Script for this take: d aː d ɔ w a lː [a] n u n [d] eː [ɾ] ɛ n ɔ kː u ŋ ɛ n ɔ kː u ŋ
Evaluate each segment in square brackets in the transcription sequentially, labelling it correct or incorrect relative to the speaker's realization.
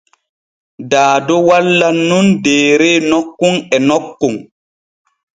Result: correct, correct, correct

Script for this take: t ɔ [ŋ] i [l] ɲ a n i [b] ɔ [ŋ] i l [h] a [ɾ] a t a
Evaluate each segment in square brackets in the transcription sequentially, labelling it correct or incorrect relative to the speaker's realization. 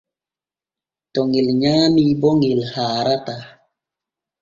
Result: correct, correct, correct, correct, correct, correct

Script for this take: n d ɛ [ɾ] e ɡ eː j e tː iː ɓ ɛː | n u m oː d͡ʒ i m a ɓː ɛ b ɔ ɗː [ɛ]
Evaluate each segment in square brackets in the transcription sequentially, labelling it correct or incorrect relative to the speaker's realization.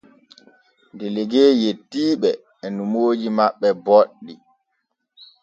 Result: incorrect: l, incorrect: i

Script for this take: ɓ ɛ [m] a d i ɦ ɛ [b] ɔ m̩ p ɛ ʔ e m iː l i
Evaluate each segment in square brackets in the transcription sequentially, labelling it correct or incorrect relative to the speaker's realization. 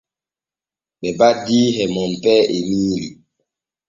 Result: incorrect: b, incorrect: m

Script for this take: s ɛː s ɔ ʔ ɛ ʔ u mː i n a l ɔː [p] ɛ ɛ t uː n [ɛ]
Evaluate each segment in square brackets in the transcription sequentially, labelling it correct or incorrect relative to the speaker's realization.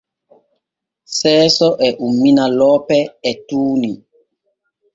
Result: correct, incorrect: i

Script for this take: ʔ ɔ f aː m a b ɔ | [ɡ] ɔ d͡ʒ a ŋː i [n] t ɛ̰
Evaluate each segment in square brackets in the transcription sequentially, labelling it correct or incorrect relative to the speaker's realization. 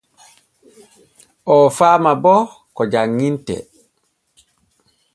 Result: incorrect: k, correct

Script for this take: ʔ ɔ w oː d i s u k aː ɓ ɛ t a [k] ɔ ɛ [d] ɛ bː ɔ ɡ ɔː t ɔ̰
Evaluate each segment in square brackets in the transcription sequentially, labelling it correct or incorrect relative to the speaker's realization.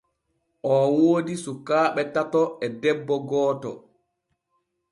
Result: incorrect: t, correct

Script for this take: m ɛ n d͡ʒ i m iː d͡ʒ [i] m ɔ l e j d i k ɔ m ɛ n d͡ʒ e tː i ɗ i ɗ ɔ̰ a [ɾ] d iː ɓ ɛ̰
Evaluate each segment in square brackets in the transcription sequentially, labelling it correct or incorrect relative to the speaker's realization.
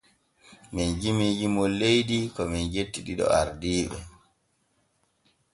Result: correct, correct

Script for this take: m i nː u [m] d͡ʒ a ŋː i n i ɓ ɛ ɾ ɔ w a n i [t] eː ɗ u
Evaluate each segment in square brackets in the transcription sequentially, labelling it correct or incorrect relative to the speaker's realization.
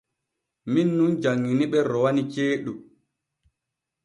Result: incorrect: n, incorrect: t͡ʃ

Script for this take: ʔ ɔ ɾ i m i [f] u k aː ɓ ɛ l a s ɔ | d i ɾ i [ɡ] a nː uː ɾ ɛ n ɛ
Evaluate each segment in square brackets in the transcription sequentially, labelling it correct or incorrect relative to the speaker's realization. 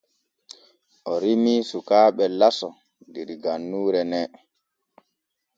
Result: incorrect: s, correct

